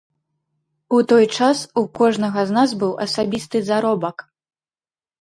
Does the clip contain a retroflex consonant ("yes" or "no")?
yes